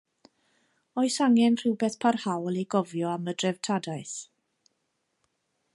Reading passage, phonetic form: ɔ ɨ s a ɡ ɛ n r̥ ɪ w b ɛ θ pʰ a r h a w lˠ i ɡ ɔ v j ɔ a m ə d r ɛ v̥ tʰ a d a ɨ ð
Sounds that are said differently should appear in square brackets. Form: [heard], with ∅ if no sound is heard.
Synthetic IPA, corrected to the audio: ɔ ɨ s a [ŋ] ɛ n r̥ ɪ w b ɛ θ pʰ a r h a w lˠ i ɡ ɔ v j ɔ a m ə d r ɛ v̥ tʰ a d a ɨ [θ]